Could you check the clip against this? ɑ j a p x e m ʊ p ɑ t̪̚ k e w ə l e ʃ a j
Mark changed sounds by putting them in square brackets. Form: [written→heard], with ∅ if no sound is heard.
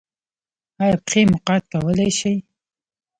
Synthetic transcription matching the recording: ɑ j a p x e m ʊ [p→q] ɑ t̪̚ k [e→a] w ə l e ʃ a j